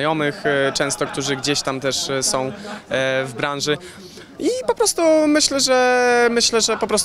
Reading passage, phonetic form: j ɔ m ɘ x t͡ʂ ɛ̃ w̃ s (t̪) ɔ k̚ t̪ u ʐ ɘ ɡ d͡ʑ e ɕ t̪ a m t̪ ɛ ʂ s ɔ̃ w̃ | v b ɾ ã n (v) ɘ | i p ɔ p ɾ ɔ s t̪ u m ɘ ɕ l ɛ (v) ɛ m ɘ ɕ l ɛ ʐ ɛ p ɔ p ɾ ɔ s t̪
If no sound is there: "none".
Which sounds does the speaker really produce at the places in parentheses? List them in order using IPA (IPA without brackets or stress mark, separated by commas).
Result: t̪, ʐ, ʐ